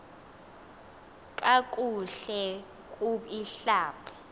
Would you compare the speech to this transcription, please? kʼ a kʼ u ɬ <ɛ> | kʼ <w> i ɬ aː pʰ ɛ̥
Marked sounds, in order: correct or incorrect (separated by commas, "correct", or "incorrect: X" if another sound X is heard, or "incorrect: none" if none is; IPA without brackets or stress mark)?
correct, incorrect: u